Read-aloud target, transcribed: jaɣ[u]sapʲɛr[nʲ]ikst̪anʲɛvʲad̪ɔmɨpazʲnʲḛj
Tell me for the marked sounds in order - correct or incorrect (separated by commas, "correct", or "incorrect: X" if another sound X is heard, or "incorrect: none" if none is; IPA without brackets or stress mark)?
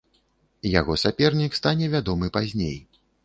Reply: incorrect: ɔ, correct